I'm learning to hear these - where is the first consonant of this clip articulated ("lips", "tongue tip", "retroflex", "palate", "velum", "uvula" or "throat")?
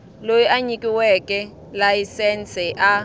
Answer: tongue tip